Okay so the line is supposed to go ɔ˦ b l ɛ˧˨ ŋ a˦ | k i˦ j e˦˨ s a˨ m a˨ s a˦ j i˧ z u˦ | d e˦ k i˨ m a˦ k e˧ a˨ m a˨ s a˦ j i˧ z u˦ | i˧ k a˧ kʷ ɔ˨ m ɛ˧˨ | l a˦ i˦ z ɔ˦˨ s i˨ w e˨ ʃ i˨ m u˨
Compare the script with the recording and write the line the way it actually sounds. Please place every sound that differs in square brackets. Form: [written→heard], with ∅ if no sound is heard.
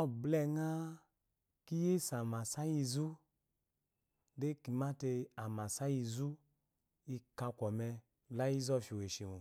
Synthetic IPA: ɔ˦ b l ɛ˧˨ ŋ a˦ | k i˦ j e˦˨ s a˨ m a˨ s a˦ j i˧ z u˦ | d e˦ k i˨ m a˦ [k→t] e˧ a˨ m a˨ s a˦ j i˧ z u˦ | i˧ k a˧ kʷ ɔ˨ m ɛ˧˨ | l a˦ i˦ z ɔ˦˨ [s→f] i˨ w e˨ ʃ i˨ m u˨